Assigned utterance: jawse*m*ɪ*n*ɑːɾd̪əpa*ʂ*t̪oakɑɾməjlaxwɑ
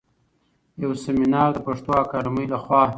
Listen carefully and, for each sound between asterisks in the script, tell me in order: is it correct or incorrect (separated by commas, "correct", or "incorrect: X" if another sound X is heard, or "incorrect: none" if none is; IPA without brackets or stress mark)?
correct, correct, correct